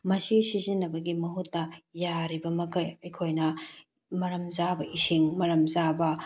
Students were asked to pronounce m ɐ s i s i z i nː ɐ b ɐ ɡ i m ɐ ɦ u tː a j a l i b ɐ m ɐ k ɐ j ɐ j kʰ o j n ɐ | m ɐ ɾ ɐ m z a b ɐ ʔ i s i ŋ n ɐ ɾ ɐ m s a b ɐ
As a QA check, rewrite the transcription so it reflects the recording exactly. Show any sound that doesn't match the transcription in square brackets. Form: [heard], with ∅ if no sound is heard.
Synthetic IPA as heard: m ɐ s i s i z i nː ɐ b ɐ ɡ i m ɐ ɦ u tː [ɐ] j a [ɾ] i b ɐ m ɐ k ɐ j ɐ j kʰ o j n ɐ | m ɐ ɾ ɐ m z a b ɐ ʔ i s i ŋ [m] ɐ ɾ ɐ m [z] a b ɐ